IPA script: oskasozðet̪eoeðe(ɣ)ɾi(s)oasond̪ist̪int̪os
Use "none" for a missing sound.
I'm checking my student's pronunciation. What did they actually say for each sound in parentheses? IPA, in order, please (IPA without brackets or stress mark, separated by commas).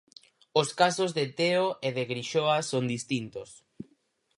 ɣ, ʃ